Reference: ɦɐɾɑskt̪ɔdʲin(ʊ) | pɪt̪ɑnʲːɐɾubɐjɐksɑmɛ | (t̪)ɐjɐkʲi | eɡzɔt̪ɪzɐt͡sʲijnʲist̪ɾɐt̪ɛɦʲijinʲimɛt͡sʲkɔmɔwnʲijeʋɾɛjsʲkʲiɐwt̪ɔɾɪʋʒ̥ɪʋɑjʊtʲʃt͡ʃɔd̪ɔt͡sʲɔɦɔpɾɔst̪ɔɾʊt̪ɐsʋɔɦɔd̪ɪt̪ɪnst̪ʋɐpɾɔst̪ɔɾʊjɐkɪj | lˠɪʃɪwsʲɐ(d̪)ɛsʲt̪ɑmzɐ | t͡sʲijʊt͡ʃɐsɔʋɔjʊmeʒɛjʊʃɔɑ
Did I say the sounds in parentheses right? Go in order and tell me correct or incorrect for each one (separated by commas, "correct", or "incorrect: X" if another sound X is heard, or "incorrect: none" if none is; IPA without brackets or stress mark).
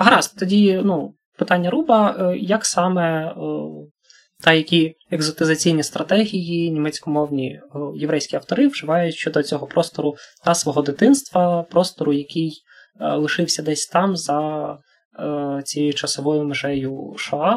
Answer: incorrect: u, correct, correct